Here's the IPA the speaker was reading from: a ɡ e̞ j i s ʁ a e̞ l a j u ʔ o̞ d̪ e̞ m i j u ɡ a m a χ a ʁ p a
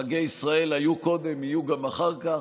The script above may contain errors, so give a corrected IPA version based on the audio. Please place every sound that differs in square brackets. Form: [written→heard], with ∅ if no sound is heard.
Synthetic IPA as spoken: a ɡ e̞ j i s ʁ a e̞ l a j u [ʔ→k] o̞ d̪ e̞ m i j u ɡ a m a χ a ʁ [p→k] a